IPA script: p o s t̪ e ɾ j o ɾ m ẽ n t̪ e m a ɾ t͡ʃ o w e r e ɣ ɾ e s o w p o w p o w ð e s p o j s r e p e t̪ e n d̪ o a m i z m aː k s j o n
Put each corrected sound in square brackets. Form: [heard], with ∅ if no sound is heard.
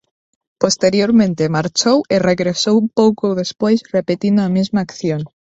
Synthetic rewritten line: p o s t̪ e ɾ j o ɾ m ẽ n t̪ e m a ɾ t͡ʃ o w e r e ɣ ɾ e s o w p o w [k] o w ð e s p o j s r e p e t̪ [i] n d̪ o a m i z m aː k [θ] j o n

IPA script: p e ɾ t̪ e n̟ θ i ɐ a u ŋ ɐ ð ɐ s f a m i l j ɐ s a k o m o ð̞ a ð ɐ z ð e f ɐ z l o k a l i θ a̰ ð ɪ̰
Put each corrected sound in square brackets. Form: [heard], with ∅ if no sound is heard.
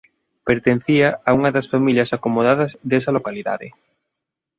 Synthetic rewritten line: p e ɾ t̪ e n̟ θ i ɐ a u ŋ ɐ ð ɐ s f a m i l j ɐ s a k o m o ð̞ a ð ɐ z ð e [s] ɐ [∅] l o k a l i [ð] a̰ ð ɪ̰

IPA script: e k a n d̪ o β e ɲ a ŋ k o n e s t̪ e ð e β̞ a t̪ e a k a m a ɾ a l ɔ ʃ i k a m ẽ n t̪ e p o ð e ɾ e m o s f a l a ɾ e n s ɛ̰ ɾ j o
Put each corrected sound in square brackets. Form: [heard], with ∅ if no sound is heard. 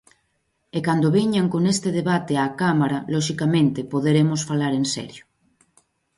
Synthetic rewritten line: e k a n d̪ o β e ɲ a ŋ k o n e s t̪ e ð e β̞ a t̪ e a k a m a ɾ a l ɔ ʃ i k a m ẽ n t̪ e p o ð e ɾ e m o s f a l a ɾ e n s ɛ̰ ɾ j o

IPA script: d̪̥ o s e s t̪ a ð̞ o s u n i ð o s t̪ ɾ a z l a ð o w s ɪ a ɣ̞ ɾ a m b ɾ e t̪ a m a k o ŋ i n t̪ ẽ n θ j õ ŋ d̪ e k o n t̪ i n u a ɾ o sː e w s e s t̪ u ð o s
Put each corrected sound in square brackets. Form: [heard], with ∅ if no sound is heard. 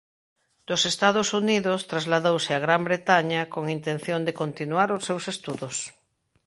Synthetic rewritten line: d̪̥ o s e s t̪ a ð̞ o s u n i ð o s t̪ ɾ a z l a ð o w s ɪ a ɣ̞ ɾ a m b ɾ e t̪ a [ɲ] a k o ŋ i n t̪ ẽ n θ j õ [n] d̪ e k o n t̪ i n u a ɾ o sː e w s e s t̪ u ð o s

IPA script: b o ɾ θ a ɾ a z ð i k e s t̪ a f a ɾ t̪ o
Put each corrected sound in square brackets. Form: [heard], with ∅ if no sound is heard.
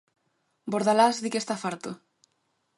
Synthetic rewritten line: b o ɾ [ð] a [l] a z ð i k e s t̪ a f a ɾ t̪ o

